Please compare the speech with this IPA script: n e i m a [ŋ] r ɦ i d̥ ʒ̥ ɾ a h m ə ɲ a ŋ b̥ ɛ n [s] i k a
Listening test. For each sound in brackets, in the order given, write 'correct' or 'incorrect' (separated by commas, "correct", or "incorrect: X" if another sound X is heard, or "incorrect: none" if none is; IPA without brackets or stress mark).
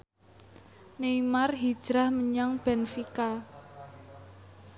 incorrect: none, incorrect: f